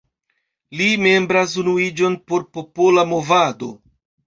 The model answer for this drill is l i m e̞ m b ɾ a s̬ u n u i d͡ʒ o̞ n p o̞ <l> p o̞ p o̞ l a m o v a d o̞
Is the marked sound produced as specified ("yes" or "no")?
no